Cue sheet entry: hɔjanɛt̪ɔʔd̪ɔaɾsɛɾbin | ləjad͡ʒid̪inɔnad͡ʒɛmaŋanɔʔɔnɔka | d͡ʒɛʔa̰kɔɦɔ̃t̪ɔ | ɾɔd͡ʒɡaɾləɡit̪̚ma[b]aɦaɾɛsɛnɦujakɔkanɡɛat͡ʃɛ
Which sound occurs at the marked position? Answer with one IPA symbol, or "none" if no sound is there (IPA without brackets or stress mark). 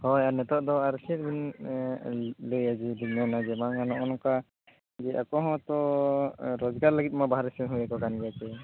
b